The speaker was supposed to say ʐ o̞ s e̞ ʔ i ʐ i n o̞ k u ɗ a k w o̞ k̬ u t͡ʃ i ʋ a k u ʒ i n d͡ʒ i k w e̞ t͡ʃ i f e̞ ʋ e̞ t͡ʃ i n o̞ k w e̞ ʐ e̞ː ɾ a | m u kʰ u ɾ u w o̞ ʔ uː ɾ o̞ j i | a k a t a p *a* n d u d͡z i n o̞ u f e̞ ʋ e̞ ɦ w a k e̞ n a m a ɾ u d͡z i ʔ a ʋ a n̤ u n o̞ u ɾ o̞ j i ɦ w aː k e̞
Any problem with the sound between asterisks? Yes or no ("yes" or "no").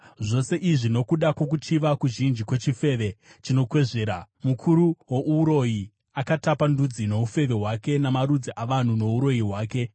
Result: no